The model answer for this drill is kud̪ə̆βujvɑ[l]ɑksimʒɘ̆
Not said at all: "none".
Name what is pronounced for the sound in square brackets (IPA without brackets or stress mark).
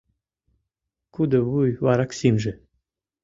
ɾ